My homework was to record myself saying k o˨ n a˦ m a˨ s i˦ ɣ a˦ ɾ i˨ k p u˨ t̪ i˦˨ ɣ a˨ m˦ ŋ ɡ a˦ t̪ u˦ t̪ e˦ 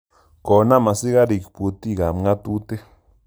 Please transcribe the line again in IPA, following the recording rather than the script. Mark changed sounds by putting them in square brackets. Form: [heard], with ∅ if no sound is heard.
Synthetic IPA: k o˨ n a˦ m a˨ s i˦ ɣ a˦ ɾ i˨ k p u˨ t̪ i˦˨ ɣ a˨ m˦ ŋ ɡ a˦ t̪ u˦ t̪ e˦

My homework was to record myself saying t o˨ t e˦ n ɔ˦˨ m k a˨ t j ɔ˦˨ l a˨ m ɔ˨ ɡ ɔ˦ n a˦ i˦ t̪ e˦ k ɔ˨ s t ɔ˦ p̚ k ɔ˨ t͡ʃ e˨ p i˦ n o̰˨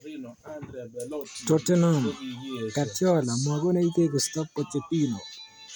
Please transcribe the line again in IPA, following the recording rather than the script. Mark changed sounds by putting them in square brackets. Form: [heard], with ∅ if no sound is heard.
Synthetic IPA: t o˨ t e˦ n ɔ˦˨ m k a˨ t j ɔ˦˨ l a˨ m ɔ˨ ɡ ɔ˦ n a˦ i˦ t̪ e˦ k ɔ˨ s t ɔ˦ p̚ k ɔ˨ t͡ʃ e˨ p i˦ n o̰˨

